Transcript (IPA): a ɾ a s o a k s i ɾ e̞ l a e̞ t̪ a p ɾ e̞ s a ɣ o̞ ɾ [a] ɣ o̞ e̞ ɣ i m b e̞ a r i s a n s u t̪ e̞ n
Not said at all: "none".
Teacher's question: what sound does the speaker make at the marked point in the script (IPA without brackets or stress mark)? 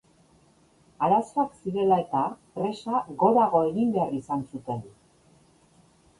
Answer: a